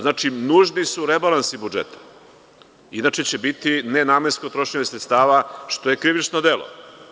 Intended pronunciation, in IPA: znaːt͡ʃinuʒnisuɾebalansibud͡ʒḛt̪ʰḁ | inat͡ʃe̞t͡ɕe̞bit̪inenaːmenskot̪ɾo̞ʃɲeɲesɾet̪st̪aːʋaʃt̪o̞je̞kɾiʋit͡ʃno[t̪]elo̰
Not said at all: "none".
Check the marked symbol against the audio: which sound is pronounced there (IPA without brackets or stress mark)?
d̪